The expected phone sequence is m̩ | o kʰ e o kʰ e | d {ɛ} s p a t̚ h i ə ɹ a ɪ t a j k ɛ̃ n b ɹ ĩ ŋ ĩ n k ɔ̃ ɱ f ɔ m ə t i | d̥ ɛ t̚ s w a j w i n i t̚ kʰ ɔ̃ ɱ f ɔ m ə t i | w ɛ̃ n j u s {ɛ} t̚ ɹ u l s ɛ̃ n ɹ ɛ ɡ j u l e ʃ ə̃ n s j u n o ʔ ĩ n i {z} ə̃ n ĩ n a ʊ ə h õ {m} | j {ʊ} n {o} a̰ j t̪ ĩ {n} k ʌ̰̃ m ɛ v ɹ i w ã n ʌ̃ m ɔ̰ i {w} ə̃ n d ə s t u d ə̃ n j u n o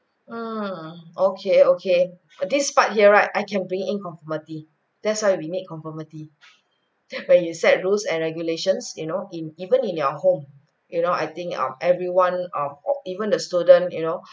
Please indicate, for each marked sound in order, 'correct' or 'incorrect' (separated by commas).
incorrect, correct, incorrect, correct, incorrect, correct, incorrect, incorrect